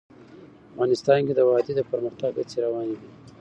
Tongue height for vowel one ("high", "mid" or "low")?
low